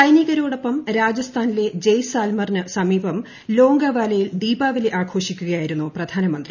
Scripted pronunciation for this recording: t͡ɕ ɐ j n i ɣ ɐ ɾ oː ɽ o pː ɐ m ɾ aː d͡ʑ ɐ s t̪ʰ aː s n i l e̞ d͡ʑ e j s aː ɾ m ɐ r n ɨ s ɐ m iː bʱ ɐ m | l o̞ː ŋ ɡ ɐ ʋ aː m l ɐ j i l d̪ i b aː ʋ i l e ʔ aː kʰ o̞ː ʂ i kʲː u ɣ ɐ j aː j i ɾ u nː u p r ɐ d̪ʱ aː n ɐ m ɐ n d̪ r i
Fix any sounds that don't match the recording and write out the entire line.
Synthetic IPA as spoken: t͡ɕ ɐ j n i ɣ ɐ ɾ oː ɽ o pː ɐ m ɾ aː d͡ʑ ɐ s t̪ʰ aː n i l e̞ d͡ʑ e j s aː l m ɐ r n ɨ s ɐ m iː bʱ ɐ m | l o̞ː ŋ ɡ ɐ ʋ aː l ɐ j i l d̪ iː b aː ʋ i l e ʔ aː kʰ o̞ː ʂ i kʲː u ɣ ɐ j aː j i ɾ u nː u p r ɐ d̪ʱ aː n ɐ m ɐ n d̪ r i

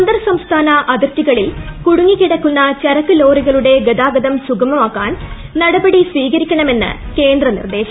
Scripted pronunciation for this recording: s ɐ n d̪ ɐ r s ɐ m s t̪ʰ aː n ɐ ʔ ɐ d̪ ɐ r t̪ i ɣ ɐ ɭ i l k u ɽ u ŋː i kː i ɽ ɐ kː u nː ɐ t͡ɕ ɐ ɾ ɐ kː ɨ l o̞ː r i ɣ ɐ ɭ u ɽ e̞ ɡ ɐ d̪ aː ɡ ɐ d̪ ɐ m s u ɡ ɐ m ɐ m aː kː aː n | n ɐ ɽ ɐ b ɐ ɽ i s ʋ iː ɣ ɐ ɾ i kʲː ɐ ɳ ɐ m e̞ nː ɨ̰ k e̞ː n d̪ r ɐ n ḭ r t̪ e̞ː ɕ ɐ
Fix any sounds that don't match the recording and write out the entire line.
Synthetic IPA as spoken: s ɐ n d̪ ɐ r s ɐ m s t̪ʰ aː n ɐ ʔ ɐ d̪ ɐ r t̪ i ɣ ɐ ɭ i l k u ɽ u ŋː i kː i ɽ ɐ kː u nː ɐ t͡ɕ ɐ ɾ ɐ kː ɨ l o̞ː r i ɣ ɐ ɭ u ɽ e̞ ɡ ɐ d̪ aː ɡ ɐ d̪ ɐ m s u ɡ ɐ m ɐ m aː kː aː n | n ɐ ɽ ɐ b ɐ ɽ i s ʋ iː ɣ ɐ ɾ i kʲː ɐ ɳ ɐ m e̞ nː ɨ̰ k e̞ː n d̪ r ɐ n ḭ r d̪ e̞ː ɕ ɐ

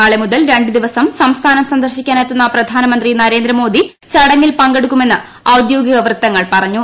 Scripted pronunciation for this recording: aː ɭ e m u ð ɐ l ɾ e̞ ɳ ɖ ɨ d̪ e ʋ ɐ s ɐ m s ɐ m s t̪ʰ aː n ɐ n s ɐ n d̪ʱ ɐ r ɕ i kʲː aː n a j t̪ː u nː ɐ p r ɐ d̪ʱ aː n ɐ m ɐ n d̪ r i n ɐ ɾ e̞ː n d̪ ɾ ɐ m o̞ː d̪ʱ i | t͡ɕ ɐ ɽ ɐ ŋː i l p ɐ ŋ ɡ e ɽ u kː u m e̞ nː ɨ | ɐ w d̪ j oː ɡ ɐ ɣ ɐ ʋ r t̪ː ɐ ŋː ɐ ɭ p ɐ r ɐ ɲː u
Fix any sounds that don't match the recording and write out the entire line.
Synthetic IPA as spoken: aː ɭ e m u ð ɐ l ɾ e̞ ɳ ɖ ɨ d̪ i ʋ ɐ s ɐ m s ɐ m s t̪ʰ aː n ɐ m s ɐ n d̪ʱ ɐ r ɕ i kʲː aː n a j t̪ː u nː ɐ p r ɐ d̪ʱ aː n ɐ m ɐ n d̪ r i n ɐ ɾ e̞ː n d̪ ɾ ɐ m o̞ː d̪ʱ i | t͡ɕ ɐ ɽ ɐ ŋː i l p ɐ ŋ ɡ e ɽ u kː u m e̞ nː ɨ | ɐ w d̪ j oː ɡ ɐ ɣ ɐ ʋ r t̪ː ɐ ŋː ɐ ɭ p ɐ r ɐ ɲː u

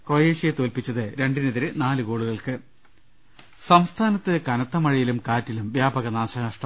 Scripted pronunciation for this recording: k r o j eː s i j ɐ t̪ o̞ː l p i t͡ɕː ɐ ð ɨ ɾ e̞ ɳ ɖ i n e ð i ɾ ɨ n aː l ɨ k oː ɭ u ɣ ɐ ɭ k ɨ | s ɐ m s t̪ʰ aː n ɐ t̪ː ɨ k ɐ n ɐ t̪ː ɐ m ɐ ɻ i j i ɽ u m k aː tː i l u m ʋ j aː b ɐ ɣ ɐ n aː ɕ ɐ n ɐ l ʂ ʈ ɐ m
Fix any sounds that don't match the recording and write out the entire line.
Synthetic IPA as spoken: k r o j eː ʂ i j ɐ t̪ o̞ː l p i t͡ɕː ɐ ð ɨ ɾ e̞ ɳ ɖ i n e ð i ɾ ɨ n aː l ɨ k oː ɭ u ɣ ɐ ɭ k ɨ | s ɐ m s t̪ʰ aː n ɐ t̪ː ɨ k ɐ n ɐ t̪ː ɐ m ɐ ɻ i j i l u m k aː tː i l u m ʋ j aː b ɐ ɣ ɐ n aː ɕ ɐ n ɐ ʂ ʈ ɐ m

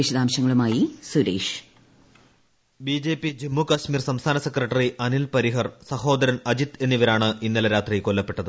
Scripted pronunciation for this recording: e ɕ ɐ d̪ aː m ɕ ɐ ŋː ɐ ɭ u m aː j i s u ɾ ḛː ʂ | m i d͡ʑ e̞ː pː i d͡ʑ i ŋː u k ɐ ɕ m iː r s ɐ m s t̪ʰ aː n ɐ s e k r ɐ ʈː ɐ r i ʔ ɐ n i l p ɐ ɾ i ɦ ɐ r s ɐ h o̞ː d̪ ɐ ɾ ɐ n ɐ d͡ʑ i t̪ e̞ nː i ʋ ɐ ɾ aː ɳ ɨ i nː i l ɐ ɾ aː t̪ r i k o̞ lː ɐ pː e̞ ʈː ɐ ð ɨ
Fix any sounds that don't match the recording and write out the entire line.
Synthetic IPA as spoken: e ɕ ɐ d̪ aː m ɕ ɐ ŋː ɐ ɭ u m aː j i s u ɾ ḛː ʂ | b i d͡ʑ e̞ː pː i d͡ʑ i mː u k ɐ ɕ m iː r s ɐ m s t̪ʰ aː n ɐ s e k r ɐ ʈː ɐ r i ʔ ɐ n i l p ɐ ɾ i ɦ ɐ r s ɐ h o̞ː d̪ ɐ ɾ ɐ n ɐ d͡ʑ i t̪ e̞ nː i ʋ ɐ ɾ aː ɳ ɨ i nː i l ɐ ɾ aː t̪ r i k o̞ lː ɐ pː e̞ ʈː ɐ ð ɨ

